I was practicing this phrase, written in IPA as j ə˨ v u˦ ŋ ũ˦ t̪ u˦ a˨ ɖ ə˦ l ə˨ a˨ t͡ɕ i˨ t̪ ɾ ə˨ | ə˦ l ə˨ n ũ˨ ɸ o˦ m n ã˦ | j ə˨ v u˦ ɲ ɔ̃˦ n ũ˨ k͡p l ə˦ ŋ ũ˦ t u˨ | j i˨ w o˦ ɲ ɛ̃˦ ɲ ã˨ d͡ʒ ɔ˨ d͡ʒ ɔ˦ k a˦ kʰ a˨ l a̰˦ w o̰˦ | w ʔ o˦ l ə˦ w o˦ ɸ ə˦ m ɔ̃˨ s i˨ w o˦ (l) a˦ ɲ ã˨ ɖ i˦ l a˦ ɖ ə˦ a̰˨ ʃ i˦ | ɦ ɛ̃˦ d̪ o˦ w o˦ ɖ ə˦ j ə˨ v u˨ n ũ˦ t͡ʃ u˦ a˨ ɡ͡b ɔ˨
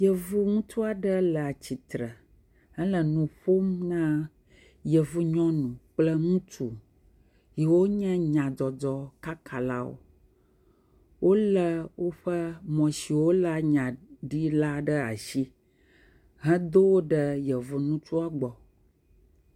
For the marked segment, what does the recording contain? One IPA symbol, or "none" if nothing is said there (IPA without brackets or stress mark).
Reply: l